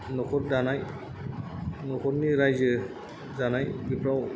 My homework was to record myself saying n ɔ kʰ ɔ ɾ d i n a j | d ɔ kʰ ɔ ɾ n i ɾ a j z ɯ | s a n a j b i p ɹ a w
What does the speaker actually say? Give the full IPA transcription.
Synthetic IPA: n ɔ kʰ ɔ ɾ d a n a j | n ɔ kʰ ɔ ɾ n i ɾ a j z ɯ | z a n a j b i p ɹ a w

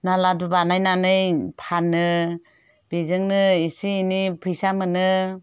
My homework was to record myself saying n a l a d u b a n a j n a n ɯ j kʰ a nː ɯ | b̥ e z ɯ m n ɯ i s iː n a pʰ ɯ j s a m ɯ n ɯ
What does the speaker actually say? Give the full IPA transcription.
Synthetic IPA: n a l a d u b a n a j n a n ɯ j pʰ a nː ɯ | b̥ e z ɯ ŋ n ɯ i s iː n i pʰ ɯ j s a m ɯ n ɯ

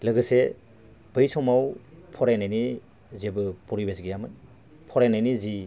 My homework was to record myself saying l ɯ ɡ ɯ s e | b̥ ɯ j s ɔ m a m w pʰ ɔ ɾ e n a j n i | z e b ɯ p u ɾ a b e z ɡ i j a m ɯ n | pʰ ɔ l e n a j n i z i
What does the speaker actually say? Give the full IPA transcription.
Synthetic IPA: l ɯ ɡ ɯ s e | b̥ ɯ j s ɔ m a w pʰ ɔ ɾ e n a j n i | z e b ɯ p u ɾ i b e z ɡ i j a m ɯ n | pʰ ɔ ɾ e n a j n i z i

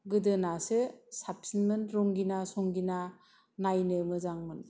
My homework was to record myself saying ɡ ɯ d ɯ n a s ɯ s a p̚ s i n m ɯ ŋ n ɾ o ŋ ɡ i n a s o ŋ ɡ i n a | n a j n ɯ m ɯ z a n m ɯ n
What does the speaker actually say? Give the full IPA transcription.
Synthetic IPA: ɡ ɯ d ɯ n a s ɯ s a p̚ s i n m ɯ n ɾ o ŋ ɡ i n a s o ŋ ɡ i n a | n a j n ɯ m ɯ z a ŋ m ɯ n

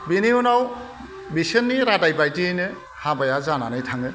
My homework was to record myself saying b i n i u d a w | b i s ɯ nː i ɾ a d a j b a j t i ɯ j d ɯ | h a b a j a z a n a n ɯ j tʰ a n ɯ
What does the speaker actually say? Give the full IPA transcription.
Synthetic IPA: b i n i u n a w | b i s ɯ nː i ɾ a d a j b a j t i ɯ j n ɯ | h a b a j a z a n a n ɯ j tʰ a ŋ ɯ

